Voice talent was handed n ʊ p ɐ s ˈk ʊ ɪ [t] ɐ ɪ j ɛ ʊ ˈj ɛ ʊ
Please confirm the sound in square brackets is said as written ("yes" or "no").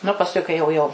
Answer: no